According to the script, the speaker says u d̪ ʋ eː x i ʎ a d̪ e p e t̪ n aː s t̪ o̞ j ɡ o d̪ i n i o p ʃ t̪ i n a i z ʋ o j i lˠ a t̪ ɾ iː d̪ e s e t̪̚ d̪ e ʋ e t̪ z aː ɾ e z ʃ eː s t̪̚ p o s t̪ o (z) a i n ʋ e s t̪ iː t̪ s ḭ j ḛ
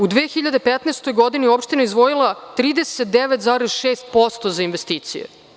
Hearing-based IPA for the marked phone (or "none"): z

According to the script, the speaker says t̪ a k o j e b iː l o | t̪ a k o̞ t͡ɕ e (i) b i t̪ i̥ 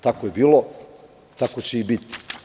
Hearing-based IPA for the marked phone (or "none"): i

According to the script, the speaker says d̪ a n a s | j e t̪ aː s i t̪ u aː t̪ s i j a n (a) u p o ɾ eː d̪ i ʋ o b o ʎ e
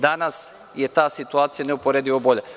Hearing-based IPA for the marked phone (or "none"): e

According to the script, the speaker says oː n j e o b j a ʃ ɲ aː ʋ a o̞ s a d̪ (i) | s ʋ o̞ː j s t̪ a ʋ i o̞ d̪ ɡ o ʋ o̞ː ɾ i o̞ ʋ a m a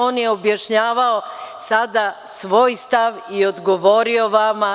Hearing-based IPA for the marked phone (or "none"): a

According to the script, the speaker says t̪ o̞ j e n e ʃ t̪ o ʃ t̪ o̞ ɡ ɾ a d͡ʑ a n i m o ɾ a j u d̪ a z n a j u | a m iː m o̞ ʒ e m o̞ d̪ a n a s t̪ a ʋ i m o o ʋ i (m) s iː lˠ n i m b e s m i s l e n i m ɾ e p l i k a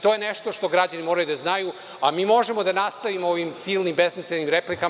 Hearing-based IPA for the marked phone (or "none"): m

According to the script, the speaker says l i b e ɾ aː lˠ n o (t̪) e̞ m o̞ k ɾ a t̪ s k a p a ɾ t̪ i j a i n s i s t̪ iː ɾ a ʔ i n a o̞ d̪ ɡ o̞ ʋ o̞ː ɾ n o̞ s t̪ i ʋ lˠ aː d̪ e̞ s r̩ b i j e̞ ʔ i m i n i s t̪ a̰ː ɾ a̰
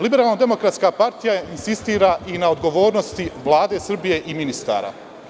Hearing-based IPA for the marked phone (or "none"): d̪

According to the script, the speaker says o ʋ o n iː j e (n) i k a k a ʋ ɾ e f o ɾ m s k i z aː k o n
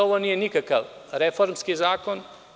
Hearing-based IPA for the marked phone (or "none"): n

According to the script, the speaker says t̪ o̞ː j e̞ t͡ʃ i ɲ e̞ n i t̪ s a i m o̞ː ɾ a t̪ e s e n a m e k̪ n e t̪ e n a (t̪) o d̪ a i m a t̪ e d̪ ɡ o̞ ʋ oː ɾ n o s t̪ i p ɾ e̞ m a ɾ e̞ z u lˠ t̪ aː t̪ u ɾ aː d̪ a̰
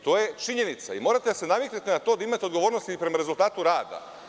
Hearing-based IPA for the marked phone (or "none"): t̪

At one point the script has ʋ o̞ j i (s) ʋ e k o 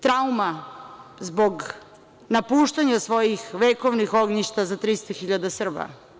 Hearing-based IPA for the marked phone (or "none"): x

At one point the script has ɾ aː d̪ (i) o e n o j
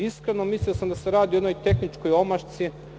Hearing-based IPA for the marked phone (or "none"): i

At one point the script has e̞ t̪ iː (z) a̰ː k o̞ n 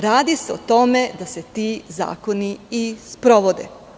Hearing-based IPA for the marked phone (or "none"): z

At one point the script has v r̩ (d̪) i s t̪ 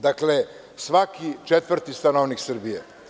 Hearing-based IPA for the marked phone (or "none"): t̪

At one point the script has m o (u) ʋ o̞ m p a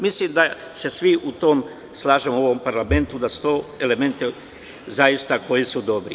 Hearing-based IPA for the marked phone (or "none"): o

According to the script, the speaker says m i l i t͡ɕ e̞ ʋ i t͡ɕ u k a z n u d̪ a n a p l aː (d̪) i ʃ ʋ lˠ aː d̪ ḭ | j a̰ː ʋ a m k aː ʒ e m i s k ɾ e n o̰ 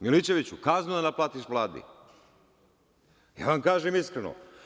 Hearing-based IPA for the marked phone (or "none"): t̪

